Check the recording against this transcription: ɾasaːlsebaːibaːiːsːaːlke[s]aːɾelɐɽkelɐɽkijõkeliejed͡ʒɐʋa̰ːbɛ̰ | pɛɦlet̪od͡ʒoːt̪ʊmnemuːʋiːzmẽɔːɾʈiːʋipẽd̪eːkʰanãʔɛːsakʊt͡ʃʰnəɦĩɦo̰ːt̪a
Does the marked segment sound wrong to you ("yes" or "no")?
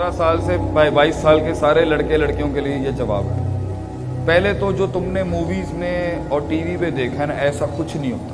no